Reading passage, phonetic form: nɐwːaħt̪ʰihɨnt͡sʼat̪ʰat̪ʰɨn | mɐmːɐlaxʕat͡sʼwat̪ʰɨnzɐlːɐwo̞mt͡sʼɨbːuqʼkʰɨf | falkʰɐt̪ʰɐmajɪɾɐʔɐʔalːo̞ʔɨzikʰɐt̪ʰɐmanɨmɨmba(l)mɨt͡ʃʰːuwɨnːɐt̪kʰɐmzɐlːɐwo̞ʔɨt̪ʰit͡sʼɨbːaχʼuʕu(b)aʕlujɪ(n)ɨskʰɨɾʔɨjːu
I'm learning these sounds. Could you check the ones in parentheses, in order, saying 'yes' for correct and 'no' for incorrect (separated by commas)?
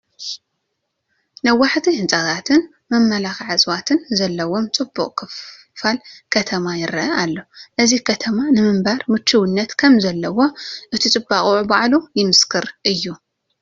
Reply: no, yes, no